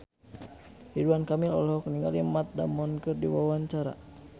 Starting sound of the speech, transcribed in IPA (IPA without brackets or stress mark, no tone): h